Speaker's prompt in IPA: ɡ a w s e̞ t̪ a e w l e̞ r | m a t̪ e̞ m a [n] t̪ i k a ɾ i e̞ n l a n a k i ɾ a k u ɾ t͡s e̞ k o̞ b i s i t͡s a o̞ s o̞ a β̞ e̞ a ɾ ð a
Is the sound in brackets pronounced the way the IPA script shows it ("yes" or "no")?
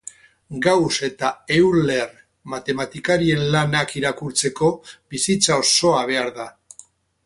no